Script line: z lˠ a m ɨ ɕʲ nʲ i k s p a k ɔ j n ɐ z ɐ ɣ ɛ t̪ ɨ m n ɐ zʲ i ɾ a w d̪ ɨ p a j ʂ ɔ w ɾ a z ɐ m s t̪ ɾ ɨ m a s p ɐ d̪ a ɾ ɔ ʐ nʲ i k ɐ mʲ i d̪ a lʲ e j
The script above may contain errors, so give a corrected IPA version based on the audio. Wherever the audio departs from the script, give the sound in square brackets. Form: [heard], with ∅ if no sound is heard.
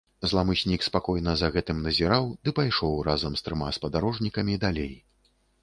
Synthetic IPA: z lˠ a m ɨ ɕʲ nʲ i k s p a k ɔ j n ɐ z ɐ ɣ ɛ t̪ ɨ m n ɐ zʲ i ɾ a w d̪ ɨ p a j ʂ ɔ w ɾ a z ɐ m s t̪ ɾ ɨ m a s p ɐ d̪ a ɾ ɔ ʐ nʲ i k ɐ mʲ i d̪ a lʲ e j